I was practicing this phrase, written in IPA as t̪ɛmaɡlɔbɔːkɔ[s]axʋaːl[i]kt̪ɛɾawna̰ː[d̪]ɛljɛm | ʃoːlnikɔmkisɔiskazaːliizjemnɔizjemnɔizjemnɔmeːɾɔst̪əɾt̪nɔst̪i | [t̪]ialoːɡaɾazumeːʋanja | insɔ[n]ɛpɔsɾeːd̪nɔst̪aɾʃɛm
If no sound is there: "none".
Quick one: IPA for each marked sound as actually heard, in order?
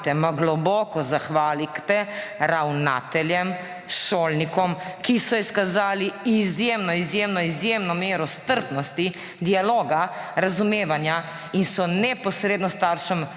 z, i, t̪, d̪, n

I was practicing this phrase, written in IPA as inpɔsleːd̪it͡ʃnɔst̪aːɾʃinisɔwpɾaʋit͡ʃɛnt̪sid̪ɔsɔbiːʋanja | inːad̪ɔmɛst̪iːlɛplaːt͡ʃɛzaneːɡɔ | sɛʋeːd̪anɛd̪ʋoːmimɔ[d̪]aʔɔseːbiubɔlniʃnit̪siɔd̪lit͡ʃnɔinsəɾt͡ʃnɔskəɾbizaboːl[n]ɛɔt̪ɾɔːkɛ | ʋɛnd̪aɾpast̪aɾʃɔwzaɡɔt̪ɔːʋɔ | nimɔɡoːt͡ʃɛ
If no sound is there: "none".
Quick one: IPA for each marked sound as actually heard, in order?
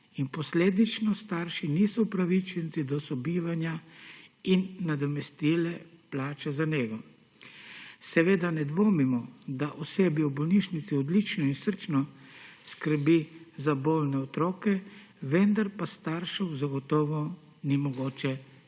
d̪, n

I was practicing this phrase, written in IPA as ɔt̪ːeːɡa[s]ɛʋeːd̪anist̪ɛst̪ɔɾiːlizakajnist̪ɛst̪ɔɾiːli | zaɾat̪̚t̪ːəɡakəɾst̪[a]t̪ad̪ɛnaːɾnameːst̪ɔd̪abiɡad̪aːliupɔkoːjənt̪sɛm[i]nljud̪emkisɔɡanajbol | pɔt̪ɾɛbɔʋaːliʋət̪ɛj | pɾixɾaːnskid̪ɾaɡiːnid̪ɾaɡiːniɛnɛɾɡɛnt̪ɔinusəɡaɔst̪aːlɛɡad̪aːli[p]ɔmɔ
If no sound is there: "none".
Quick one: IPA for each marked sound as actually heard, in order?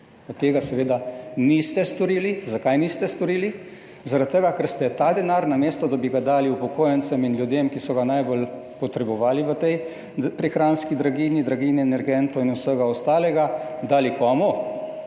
s, ɛ, i, k

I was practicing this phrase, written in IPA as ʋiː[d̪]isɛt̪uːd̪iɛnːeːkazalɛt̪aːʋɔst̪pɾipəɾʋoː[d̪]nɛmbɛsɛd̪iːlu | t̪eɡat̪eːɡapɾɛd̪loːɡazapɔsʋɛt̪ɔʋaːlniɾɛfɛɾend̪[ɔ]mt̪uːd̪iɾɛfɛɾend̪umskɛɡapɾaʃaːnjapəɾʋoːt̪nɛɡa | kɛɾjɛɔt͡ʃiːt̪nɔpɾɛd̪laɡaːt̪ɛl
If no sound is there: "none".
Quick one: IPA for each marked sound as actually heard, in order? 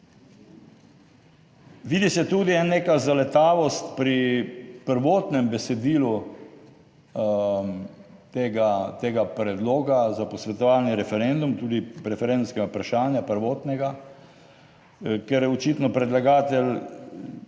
d̪, t̪, u

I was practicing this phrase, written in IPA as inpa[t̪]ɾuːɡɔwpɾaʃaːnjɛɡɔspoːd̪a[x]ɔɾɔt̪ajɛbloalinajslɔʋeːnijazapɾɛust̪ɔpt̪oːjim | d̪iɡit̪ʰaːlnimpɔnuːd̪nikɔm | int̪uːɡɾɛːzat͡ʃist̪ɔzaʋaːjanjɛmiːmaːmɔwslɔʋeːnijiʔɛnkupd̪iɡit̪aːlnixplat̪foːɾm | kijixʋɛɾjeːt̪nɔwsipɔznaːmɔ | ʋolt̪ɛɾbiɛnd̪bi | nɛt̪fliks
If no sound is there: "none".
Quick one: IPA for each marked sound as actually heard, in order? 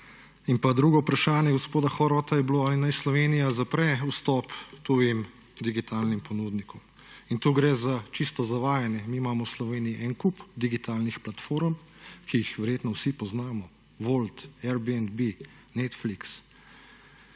d̪, x

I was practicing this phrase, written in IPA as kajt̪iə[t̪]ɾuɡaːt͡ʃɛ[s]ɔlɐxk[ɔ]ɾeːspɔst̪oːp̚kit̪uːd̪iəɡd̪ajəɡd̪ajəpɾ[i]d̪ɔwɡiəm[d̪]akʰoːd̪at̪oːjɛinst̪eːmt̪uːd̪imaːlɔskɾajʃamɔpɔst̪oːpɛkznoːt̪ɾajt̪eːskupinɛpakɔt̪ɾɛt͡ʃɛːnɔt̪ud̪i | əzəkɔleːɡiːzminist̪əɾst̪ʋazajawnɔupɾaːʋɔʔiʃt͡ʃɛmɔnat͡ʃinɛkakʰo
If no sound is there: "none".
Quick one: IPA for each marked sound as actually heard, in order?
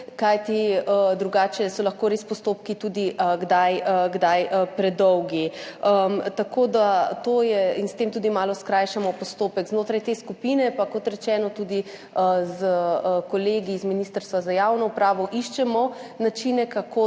d̪, s, o, ɛ, t̪

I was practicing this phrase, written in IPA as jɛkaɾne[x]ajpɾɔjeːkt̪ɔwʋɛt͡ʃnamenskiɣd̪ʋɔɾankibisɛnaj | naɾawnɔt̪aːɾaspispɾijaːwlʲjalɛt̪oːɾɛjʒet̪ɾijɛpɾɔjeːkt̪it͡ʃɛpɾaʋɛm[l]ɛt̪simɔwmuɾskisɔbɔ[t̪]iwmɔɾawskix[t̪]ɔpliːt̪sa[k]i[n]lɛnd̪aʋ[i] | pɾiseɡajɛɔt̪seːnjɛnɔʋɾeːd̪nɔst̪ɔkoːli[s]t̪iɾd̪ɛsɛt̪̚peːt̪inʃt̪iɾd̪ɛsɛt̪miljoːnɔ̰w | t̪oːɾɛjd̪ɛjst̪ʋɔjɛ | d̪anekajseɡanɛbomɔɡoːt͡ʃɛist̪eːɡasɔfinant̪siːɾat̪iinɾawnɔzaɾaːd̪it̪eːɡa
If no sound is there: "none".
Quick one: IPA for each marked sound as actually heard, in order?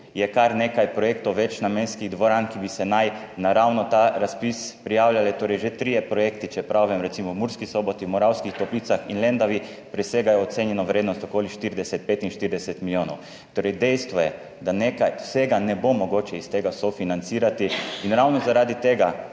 k, ɾ, t̪, t̪, x, n, i, ʃ

